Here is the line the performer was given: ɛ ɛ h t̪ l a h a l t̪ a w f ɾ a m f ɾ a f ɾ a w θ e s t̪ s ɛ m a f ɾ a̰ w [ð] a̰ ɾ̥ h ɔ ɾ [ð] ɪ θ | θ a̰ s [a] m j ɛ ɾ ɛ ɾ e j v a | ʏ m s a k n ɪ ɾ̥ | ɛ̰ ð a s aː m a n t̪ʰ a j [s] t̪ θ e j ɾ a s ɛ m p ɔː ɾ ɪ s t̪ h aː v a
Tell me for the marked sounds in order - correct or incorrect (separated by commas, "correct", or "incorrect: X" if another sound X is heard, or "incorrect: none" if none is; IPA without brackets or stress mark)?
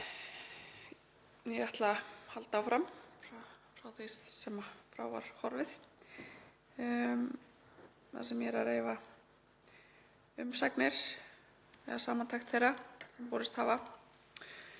incorrect: v, incorrect: v, incorrect: ɛ, incorrect: x